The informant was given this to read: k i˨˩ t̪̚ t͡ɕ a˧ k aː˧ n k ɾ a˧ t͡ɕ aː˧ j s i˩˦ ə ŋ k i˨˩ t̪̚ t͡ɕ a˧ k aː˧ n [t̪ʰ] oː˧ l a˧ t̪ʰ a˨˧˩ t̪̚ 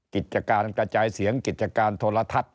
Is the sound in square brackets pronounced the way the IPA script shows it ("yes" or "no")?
yes